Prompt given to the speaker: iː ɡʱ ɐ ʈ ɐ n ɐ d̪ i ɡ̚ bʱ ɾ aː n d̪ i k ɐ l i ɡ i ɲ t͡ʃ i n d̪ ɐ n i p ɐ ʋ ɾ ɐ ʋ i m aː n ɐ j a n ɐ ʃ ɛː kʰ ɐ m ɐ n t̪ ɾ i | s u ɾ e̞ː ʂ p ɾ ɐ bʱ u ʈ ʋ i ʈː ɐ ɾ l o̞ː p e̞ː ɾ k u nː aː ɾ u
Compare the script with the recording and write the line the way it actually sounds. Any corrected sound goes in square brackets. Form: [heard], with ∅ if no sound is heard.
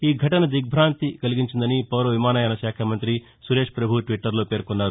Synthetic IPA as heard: iː ɡʱ ɐ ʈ ɐ n ɐ d̪ i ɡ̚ bʱ ɾ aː n [t̪] i k ɐ l i ɡ i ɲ t͡ʃ i n d̪ ɐ n i p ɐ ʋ ɾ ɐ ʋ i m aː n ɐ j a n ɐ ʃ [aː] kʰ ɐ m ɐ n t̪ ɾ i | s u ɾ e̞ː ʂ p ɾ ɐ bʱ u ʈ ʋ i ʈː ɐ ɾ l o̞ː p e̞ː ɾ k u nː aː ɾ u